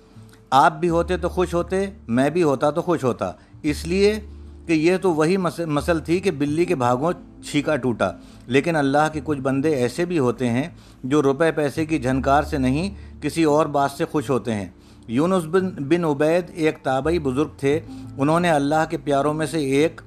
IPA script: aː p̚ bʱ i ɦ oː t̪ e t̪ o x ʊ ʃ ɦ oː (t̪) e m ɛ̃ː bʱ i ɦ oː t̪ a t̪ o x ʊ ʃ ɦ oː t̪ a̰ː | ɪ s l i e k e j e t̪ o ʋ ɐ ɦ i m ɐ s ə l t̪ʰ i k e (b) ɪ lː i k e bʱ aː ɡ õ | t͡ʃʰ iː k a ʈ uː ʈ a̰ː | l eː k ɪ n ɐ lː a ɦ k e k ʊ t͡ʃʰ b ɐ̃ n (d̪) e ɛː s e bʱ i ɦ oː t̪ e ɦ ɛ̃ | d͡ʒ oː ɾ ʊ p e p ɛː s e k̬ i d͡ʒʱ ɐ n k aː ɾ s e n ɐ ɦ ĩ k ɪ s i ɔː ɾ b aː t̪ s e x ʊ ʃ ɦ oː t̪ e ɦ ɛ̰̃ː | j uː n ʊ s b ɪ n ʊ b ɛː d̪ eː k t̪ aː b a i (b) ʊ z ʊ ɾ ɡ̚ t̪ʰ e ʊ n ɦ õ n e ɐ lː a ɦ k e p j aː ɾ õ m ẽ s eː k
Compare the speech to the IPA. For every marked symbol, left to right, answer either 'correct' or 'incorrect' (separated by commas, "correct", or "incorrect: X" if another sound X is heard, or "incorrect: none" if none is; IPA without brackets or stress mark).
correct, correct, correct, correct